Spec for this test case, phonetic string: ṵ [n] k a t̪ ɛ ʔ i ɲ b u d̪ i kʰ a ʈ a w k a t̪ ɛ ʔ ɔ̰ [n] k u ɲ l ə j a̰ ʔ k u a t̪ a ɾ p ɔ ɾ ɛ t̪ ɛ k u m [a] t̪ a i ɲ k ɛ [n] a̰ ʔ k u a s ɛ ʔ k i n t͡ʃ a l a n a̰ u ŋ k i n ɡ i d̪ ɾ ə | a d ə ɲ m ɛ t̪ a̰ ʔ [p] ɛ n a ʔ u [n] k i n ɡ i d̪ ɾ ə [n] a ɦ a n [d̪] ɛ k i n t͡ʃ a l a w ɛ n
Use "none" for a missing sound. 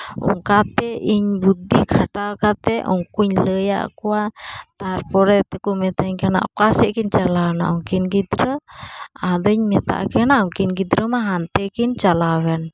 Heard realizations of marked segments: ŋ, ŋ, ɛ, n, k, ŋ, m, t̪

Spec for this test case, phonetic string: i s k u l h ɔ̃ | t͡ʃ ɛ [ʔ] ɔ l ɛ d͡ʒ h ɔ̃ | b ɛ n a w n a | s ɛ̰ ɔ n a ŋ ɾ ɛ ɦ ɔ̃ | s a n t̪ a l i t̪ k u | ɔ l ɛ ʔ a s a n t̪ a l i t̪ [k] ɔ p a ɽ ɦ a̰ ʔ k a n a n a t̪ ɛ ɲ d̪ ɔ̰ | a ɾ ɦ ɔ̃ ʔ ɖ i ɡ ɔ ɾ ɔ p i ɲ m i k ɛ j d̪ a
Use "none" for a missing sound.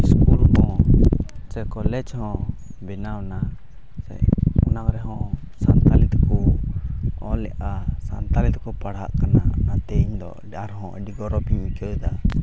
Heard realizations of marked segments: k, k

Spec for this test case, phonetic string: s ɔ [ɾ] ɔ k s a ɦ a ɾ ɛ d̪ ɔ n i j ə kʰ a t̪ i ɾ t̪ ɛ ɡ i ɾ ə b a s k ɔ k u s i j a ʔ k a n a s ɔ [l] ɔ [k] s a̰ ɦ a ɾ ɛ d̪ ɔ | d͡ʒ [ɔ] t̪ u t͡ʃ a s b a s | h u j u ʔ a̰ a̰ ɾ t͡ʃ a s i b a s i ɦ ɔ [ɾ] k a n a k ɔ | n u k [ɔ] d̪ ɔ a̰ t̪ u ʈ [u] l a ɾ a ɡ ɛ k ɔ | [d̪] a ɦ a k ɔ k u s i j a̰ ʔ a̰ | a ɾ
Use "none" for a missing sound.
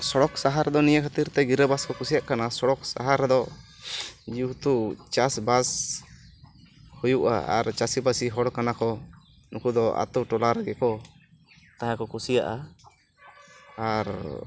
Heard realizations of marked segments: ɽ, ɽ, k, u, ɽ, u, ɔ, t̪

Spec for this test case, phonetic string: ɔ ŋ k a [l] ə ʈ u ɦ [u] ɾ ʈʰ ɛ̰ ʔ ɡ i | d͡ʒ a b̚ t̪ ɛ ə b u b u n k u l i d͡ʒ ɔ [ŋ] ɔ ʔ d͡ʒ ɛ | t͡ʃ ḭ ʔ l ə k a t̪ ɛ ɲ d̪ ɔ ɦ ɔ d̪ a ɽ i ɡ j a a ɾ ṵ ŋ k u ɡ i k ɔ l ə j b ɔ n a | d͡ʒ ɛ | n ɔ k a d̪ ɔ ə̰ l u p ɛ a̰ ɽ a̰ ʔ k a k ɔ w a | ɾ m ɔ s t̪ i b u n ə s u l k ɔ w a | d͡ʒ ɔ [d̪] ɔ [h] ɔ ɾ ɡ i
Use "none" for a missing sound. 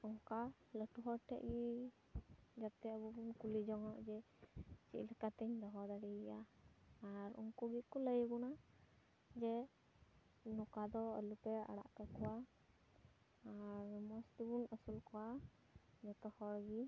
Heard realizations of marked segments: l, ɔ, ŋ, t̪, h

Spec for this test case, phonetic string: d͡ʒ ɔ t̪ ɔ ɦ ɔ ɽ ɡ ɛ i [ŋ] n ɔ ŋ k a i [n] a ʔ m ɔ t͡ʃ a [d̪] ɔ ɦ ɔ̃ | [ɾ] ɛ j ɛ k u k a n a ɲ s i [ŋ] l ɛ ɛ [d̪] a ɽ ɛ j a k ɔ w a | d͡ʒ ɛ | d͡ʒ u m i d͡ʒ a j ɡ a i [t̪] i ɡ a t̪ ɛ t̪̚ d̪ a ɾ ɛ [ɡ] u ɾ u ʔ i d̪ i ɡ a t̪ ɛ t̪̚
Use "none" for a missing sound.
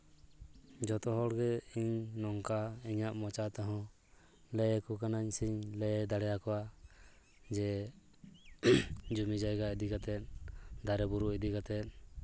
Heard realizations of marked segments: ɲ, ɲ, t̪, l, ɲ, d̪, d̪, b

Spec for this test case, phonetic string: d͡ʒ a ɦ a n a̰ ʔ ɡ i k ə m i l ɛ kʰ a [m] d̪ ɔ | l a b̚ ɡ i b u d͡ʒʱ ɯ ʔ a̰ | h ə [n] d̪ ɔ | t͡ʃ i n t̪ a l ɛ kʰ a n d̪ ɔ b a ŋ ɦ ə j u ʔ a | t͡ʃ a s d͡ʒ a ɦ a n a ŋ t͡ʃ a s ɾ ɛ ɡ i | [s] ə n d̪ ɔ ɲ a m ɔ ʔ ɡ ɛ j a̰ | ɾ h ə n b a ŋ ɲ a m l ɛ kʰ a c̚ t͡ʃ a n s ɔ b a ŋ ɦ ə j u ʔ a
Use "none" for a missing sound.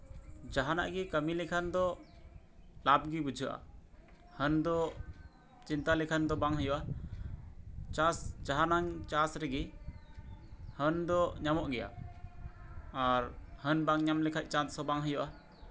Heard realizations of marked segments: n, n, h

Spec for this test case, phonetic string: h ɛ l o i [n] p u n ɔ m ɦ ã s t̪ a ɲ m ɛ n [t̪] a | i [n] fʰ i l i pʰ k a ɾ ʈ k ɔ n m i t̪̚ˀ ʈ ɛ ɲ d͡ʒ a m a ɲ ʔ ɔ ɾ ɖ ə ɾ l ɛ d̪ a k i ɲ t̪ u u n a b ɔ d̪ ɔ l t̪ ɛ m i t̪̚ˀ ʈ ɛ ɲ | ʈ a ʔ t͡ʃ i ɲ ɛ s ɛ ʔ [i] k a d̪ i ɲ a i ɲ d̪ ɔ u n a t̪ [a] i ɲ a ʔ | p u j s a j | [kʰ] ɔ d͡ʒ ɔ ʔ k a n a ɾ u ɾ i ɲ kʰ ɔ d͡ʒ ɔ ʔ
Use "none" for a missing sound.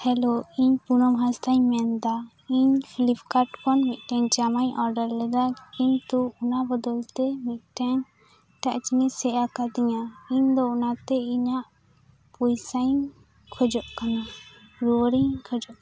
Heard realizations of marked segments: ɲ, d̪, ɲ, a, ɛ, kʰ

